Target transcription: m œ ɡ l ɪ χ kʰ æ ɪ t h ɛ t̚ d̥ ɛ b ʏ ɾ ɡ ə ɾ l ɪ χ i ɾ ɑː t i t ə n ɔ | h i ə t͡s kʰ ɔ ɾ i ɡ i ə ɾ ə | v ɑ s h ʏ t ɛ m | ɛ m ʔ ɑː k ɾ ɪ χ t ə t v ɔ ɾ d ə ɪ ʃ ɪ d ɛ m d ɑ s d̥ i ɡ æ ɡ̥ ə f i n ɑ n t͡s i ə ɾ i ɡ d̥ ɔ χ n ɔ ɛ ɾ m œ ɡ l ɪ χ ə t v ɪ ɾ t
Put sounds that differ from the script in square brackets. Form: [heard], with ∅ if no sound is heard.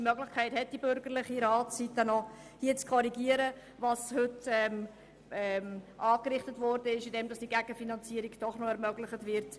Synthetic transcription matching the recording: m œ ɡ l ɪ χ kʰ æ ɪ t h ɛ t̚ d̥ [i] b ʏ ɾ ɡ ə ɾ l ɪ χ i ɾ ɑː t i t ə n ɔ | h i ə t͡s kʰ ɔ ɾ i ɡ i ə ɾ ə | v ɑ s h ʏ t ɛ m | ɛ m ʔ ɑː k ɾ ɪ χ t ə t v ɔ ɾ d ə ɪ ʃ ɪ d ɛ m d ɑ s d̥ i ɡ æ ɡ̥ ə f i n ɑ n t͡s i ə ɾ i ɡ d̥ ɔ χ n ɔ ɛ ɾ m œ ɡ l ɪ χ ə t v ɪ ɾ t